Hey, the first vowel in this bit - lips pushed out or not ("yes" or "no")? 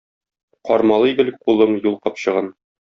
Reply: yes